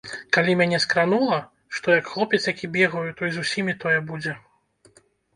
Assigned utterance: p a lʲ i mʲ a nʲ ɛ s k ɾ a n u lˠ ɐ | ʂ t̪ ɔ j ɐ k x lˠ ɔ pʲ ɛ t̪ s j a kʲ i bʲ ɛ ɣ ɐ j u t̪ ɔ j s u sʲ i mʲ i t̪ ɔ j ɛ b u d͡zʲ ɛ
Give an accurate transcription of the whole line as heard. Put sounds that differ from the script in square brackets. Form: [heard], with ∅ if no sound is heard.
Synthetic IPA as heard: [k] a lʲ i mʲ a nʲ ɛ s k ɾ a n u lˠ ɐ | ʂ t̪ ɔ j ɐ k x lˠ ɔ pʲ ɛ t̪ s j a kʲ i bʲ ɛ ɣ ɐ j u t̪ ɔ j [z] u sʲ i mʲ i t̪ ɔ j ɛ b u d͡zʲ ɛ